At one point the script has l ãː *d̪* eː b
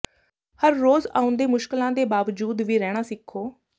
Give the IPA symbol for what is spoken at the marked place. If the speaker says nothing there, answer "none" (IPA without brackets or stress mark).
d̪